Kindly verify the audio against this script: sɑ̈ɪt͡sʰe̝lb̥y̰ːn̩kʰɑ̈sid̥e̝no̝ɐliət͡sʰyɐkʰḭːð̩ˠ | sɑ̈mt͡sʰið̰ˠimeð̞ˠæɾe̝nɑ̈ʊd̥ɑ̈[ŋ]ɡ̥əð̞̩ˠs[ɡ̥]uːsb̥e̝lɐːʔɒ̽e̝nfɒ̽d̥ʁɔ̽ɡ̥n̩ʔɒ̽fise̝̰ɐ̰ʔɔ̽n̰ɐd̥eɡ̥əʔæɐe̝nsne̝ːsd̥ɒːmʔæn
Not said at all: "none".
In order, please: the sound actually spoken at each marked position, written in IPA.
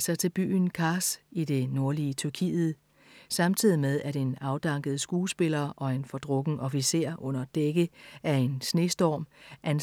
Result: ŋ, ɡ̥

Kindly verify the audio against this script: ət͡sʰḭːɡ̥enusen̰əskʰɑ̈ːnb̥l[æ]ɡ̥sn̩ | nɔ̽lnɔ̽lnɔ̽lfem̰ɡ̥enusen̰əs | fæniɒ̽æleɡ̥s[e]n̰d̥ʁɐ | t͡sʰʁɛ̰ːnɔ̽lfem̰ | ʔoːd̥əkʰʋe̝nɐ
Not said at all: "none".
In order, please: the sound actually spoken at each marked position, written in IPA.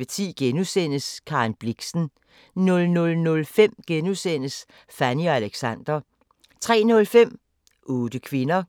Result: i, æ

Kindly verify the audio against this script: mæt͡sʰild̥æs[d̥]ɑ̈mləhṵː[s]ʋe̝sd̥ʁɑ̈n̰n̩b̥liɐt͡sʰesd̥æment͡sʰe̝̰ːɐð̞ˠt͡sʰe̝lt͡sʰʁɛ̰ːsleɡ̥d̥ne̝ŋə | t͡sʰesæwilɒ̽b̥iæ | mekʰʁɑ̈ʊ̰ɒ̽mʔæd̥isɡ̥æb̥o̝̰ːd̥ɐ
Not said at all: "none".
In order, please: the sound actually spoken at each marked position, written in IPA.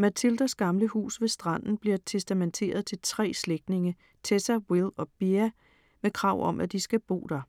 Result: ɡ̥, s

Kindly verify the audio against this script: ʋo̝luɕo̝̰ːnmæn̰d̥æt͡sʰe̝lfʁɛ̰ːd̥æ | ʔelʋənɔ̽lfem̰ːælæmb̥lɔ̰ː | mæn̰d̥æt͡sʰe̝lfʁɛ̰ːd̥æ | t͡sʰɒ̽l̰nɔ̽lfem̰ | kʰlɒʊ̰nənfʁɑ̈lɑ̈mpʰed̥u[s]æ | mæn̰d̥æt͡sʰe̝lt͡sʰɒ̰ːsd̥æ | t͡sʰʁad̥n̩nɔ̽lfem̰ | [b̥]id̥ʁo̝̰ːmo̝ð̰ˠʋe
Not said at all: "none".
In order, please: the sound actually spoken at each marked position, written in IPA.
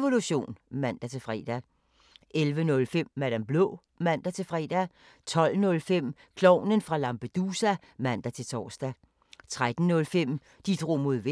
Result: s, d̥

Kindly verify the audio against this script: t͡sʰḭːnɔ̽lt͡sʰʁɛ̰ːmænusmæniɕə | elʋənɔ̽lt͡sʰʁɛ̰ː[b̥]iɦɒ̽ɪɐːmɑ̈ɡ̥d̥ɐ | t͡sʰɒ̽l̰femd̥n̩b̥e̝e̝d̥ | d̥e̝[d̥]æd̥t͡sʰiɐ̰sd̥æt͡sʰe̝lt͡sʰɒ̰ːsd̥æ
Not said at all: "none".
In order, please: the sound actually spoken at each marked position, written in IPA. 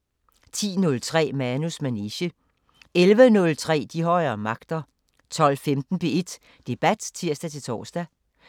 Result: d̥, b̥

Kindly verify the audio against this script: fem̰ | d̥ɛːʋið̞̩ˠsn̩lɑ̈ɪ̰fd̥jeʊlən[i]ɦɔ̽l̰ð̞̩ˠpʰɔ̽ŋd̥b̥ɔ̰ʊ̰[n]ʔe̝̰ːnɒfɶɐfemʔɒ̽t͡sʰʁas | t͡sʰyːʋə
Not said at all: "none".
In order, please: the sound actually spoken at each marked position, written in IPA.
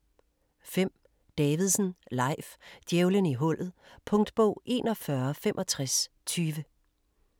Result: i, none

